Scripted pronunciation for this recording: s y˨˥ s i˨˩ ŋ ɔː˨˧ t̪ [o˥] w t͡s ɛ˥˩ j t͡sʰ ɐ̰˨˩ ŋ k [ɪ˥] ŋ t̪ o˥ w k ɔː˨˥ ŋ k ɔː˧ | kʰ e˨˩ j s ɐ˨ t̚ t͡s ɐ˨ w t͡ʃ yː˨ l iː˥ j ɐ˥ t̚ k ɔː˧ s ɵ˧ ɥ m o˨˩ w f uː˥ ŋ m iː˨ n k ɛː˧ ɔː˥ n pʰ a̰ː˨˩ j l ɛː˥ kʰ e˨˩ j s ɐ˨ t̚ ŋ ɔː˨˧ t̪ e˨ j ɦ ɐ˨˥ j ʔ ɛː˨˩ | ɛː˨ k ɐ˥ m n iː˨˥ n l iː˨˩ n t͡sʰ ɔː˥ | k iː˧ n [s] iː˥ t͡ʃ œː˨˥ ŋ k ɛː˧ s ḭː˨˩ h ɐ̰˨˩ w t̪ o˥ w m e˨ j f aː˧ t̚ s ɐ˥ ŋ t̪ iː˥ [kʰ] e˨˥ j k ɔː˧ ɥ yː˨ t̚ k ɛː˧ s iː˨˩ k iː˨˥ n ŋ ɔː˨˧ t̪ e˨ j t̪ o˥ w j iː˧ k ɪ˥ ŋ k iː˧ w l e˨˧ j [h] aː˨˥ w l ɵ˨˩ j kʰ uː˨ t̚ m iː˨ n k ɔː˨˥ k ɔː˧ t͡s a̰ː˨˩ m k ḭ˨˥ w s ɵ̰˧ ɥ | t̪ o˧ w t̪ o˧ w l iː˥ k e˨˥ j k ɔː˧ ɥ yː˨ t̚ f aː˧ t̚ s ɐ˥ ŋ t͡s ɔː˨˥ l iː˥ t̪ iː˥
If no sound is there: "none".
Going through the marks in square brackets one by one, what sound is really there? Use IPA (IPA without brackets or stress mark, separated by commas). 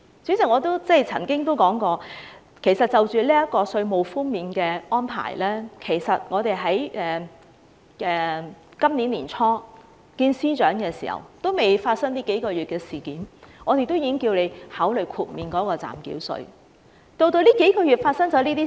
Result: o˥, ɪ˥, s, k, h